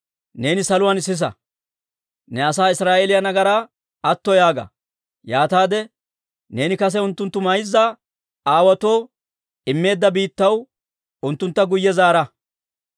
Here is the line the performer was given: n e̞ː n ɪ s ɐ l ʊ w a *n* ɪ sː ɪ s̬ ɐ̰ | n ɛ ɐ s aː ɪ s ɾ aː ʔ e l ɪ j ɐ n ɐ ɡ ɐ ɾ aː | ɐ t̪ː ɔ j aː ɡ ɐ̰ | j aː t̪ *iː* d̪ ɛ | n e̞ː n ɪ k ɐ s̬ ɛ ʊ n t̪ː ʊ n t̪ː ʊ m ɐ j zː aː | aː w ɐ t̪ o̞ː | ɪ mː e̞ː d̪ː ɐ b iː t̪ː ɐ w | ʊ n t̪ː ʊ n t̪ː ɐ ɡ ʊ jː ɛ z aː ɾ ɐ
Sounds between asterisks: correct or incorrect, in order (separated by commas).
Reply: correct, incorrect